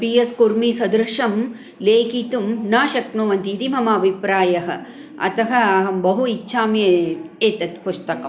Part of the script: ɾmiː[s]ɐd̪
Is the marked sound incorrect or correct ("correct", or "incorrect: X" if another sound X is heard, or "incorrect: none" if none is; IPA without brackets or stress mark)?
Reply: correct